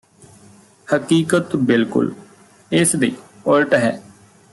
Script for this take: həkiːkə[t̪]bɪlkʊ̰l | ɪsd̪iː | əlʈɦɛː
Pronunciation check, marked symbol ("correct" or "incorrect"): correct